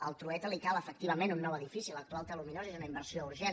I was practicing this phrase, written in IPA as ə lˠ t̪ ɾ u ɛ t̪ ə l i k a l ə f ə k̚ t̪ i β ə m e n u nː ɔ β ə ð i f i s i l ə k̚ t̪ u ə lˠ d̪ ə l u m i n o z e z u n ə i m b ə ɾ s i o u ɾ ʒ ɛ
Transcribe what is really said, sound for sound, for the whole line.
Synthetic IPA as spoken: ə lˠ t̪ ɾ u ɛ t̪ ə l i k a l ə f ə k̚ t̪ i β ə m e n u nː ɔ w ə ð i f i s i l ə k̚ t̪ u a lˠ t̪ ə l u m i n o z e z u n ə i m b ə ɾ s i o u ɾ ʒ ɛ